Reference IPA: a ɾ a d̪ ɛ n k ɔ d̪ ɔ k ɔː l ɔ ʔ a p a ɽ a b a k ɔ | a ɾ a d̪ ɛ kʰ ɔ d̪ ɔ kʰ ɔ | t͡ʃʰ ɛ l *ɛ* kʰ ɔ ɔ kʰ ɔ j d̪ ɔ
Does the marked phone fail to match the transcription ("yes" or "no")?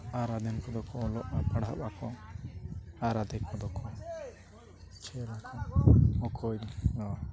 yes